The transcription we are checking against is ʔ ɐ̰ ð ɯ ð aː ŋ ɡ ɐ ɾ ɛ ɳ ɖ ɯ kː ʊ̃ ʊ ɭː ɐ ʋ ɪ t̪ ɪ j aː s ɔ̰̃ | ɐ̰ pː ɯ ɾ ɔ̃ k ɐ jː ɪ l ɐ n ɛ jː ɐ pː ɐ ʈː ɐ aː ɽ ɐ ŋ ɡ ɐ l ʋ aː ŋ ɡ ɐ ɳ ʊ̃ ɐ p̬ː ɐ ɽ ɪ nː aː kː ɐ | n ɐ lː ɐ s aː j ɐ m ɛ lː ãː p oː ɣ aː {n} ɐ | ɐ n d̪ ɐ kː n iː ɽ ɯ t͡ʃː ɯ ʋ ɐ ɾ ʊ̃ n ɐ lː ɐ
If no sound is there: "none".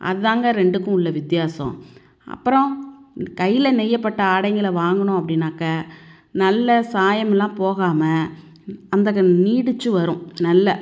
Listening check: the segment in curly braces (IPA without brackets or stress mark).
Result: m